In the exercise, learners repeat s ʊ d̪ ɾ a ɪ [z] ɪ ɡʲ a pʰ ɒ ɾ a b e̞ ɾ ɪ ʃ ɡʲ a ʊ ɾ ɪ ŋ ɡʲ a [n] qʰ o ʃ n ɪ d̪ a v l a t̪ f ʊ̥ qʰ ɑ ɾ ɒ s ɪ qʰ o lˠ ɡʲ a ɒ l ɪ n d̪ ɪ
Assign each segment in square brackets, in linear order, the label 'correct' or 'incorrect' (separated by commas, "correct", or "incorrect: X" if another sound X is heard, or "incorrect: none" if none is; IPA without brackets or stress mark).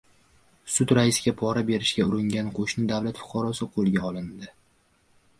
incorrect: s, correct